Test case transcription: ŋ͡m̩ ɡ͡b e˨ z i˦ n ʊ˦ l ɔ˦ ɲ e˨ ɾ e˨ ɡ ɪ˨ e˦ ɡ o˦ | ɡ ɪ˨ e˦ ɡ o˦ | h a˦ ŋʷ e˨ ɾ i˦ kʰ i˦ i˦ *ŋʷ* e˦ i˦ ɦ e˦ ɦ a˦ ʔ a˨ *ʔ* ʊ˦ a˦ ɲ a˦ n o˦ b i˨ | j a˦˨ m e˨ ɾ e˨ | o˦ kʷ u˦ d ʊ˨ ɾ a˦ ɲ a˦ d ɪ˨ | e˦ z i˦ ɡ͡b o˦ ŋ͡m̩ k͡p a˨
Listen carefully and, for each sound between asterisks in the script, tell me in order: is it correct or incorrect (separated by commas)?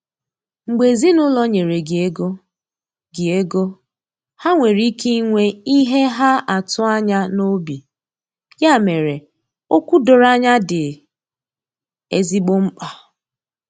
correct, incorrect